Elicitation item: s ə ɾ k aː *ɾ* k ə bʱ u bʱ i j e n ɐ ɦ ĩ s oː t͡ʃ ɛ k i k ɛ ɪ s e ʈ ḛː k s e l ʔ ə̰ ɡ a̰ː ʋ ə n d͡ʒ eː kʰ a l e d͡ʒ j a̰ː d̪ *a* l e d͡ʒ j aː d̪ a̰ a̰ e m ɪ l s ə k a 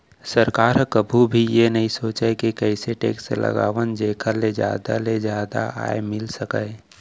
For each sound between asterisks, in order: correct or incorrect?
correct, correct

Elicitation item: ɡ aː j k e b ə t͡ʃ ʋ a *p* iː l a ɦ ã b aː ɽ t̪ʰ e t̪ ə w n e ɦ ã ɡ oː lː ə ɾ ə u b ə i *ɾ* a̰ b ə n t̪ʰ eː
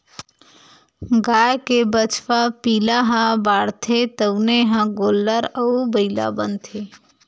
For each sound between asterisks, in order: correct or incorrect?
correct, incorrect: l

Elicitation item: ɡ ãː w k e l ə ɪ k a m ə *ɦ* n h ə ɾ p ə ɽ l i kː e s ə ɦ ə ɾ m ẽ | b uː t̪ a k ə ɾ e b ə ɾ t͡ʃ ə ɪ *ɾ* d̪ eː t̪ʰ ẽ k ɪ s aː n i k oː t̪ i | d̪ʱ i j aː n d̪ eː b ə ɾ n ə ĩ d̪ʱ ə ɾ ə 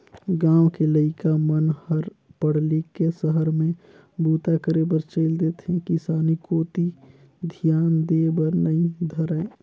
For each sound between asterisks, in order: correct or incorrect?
incorrect: none, incorrect: l

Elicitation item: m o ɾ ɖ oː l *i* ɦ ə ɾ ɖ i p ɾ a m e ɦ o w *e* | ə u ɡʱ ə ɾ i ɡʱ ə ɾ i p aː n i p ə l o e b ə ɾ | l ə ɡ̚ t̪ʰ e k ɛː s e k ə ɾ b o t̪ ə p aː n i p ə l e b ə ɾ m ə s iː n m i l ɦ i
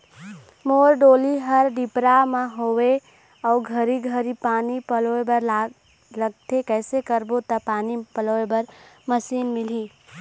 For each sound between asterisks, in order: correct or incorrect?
correct, correct

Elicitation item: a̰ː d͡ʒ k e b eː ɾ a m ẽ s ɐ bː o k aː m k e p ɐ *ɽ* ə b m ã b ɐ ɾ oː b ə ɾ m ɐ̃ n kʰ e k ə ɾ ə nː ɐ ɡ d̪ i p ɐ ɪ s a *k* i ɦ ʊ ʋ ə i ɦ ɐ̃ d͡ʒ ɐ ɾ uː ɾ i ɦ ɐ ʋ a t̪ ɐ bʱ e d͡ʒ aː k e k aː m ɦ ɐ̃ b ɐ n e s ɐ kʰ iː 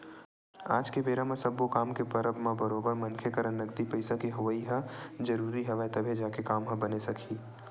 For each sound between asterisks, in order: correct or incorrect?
incorrect: ɾ, correct

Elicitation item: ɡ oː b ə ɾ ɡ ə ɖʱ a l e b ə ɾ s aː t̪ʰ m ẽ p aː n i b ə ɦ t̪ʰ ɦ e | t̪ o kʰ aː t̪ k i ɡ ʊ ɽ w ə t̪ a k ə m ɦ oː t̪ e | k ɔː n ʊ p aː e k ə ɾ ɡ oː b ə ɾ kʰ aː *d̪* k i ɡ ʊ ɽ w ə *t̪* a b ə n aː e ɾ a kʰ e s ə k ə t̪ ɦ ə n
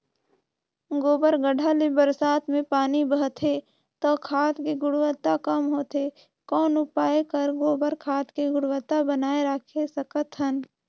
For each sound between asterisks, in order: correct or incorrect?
incorrect: t̪, correct

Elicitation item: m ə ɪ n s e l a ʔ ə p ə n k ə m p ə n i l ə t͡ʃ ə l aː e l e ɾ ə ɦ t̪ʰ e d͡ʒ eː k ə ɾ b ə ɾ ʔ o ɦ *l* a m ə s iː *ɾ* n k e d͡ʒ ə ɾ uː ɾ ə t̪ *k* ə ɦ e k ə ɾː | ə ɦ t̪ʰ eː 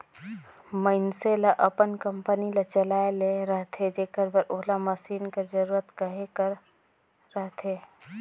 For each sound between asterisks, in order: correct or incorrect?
correct, incorrect: none, correct

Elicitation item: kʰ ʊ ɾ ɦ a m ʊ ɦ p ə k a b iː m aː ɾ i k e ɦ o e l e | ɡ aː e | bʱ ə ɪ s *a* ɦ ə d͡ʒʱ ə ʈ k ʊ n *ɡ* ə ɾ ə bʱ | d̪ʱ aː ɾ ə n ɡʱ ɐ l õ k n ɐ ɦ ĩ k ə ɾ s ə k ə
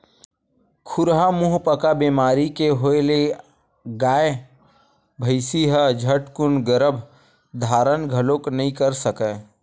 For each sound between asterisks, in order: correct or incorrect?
incorrect: i, correct

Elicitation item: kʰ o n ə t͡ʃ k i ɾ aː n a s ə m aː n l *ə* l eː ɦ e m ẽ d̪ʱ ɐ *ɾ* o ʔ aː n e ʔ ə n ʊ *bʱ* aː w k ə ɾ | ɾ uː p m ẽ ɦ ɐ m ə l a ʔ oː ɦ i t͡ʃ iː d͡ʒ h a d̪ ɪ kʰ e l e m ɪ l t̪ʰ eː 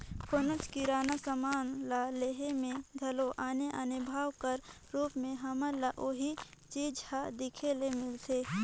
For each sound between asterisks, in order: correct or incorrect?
incorrect: a, incorrect: l, correct

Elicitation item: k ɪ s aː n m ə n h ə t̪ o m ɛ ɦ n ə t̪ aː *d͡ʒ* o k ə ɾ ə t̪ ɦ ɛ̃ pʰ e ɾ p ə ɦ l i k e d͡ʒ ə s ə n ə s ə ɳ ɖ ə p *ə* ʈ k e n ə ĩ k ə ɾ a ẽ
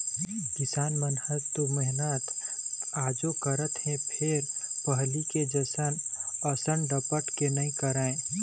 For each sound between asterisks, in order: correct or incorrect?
correct, correct

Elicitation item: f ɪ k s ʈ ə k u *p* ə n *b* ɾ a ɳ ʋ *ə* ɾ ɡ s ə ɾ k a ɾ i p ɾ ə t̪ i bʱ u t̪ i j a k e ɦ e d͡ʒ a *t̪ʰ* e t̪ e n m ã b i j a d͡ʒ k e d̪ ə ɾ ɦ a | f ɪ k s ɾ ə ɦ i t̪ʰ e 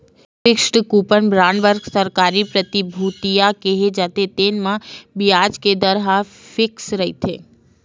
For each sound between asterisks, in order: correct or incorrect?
correct, correct, correct, incorrect: t̪

